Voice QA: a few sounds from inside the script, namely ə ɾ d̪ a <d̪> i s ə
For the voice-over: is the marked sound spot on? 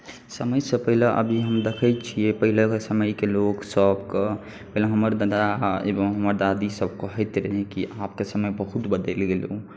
yes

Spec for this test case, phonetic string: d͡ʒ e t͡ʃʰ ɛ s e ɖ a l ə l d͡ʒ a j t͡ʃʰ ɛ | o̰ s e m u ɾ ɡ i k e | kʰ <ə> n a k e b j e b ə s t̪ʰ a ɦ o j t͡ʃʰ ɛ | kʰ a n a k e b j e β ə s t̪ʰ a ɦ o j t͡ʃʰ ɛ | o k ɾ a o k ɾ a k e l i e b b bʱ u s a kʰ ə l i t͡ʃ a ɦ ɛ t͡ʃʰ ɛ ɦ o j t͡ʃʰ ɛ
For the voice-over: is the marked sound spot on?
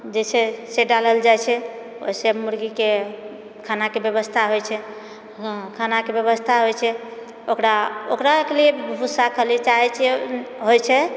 no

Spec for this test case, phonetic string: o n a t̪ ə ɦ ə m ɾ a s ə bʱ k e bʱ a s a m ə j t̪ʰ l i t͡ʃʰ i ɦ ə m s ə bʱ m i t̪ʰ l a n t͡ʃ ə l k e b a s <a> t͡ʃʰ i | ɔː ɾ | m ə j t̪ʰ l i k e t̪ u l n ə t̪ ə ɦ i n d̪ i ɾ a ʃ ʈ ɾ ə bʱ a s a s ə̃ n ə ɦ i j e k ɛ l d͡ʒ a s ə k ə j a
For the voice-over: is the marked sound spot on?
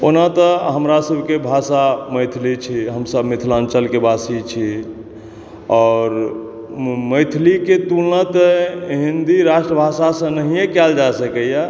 no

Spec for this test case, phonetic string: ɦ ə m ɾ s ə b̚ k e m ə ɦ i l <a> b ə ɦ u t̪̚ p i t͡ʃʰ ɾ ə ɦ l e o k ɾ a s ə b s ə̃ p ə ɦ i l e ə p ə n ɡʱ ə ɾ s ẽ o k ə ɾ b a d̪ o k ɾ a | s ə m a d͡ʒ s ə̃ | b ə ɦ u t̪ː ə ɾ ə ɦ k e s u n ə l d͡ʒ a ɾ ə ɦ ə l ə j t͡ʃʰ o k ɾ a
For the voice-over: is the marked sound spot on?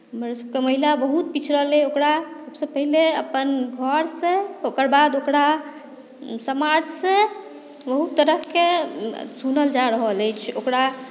yes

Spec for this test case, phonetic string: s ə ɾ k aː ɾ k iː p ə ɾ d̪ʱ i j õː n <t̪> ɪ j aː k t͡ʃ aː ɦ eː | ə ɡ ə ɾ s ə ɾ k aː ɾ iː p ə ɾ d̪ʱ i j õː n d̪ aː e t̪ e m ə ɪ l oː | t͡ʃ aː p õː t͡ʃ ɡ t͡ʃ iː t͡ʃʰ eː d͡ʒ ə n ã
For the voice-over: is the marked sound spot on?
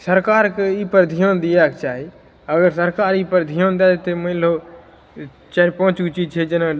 no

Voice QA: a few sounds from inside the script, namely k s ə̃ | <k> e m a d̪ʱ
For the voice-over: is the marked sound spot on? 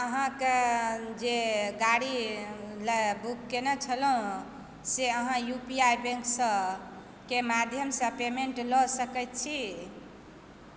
yes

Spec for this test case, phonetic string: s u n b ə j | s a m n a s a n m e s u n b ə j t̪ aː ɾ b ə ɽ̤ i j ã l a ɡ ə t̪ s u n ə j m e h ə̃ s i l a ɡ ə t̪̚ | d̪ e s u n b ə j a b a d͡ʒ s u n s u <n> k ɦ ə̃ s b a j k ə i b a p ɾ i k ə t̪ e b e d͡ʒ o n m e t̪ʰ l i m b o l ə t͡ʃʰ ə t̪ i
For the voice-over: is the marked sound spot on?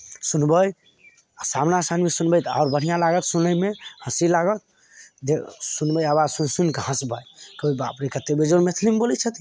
yes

